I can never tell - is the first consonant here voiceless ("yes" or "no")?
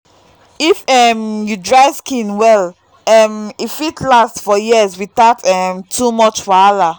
yes